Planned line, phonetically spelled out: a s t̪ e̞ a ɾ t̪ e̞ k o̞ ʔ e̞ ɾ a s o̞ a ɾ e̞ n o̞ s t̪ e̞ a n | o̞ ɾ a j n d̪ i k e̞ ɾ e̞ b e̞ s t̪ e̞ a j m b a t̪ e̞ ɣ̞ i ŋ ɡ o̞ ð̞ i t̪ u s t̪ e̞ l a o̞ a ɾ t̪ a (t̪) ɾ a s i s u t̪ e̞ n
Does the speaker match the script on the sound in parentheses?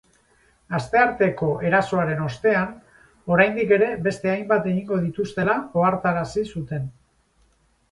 no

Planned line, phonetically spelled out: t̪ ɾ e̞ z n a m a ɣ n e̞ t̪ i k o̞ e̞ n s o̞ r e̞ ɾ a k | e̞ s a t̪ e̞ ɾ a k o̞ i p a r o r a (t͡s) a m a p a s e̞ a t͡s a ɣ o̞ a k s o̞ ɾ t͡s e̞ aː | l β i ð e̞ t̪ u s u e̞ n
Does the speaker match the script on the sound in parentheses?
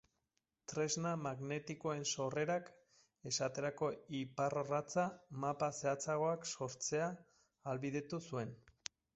yes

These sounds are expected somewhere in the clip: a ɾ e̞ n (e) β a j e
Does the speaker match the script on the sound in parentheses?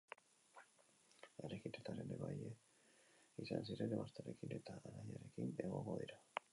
yes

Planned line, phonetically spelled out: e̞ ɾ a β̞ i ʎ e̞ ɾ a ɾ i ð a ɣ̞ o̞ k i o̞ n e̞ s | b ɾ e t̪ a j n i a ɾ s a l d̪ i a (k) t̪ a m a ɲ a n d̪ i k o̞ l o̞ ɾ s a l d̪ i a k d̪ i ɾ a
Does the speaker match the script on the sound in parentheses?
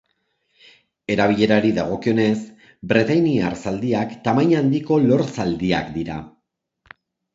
yes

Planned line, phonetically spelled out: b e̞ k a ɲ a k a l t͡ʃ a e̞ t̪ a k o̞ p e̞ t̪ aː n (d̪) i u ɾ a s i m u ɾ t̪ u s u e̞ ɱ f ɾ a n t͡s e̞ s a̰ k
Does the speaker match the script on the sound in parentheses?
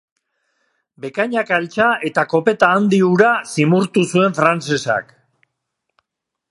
yes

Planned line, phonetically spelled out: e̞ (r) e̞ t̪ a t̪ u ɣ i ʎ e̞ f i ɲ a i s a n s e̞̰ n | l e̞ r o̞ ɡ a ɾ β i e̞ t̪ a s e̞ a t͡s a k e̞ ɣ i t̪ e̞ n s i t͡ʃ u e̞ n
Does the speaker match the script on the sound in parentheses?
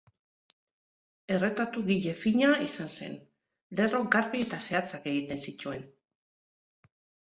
yes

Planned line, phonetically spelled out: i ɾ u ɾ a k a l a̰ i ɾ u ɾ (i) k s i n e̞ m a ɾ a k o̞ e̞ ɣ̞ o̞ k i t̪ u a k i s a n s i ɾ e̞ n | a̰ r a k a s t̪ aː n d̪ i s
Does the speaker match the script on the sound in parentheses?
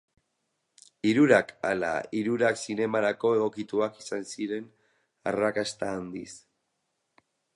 no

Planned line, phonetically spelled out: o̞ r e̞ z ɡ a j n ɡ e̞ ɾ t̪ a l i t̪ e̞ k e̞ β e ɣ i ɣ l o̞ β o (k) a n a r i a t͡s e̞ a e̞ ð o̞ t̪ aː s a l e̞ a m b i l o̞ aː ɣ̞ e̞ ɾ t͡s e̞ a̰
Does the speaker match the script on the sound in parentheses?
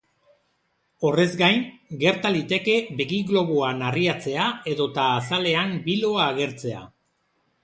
no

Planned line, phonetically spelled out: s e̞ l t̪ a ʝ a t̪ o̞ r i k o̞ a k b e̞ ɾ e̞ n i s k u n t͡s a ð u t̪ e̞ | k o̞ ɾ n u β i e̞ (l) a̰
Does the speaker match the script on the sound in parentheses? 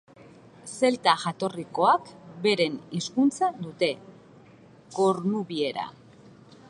no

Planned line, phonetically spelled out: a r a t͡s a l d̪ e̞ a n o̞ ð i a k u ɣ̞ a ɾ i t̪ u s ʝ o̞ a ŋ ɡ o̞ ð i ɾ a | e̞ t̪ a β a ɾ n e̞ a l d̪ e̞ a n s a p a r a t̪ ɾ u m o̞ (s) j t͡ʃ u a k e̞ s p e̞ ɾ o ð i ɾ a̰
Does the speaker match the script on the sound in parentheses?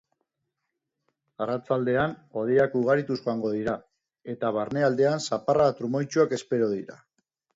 no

